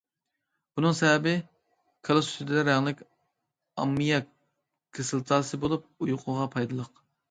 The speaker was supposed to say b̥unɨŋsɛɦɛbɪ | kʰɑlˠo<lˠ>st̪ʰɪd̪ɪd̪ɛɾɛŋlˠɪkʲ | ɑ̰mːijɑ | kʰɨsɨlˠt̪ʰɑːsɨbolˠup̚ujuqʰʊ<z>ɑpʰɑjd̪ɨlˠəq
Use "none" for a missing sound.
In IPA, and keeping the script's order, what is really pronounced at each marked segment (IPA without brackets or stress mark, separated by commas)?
none, ʁ